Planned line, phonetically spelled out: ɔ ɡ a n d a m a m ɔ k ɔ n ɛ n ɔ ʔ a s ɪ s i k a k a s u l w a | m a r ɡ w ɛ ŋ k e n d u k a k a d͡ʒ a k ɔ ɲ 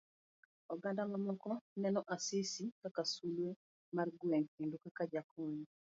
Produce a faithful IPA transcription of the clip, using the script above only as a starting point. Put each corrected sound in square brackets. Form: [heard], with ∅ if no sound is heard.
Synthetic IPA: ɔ ɡ a n d a m a m ɔ k ɔ n ɛ n ɔ ʔ a s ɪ s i k a k a s u l w [e] | m a r ɡ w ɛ ŋ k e n d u k a k a d͡ʒ a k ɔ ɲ